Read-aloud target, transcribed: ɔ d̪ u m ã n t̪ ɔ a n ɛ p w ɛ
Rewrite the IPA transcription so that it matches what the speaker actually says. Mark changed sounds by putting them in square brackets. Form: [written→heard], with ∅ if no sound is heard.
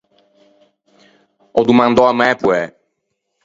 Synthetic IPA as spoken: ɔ d̪ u m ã n [t̪→d̪] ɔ a [n→m] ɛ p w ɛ

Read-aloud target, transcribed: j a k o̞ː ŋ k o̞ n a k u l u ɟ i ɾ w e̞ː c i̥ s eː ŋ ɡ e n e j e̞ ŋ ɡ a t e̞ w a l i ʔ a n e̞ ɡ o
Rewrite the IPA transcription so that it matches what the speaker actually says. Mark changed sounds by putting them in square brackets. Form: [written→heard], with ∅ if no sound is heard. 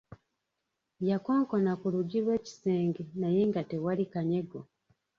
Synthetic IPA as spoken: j a k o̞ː ŋ k o̞ n a k u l u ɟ i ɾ w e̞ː c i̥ s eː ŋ ɡ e n [e→a] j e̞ ŋ ɡ a t e̞ w a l i [ʔ→k] a [n→ɲ] e̞ ɡ o

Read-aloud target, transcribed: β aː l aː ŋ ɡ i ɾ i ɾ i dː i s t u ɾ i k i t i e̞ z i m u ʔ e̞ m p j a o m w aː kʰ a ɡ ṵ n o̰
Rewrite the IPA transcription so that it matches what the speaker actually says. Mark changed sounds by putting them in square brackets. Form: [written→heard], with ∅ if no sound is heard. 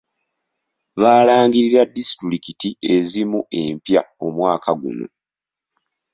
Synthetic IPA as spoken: β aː l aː ŋ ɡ i ɾ i ɾ [i→a] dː i s t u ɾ i k i t i e̞ z i m u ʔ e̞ m p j a o m w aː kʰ a ɡ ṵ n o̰

